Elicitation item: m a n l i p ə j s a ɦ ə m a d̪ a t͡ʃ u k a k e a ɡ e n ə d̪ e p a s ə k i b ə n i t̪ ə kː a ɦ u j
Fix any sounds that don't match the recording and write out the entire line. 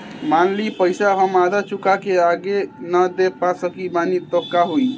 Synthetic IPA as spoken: m a n l i p ə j s a ɦ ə m a d̪ a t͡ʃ u k a k e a ɡ e n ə d̪ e p a s ə k i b a n i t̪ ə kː a ɦ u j